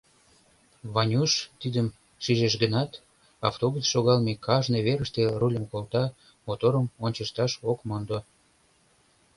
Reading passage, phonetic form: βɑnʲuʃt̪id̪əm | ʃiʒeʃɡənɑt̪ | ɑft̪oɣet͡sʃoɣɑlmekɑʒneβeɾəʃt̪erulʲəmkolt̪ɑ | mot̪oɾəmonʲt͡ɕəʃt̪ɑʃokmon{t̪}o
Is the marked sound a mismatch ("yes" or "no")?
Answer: yes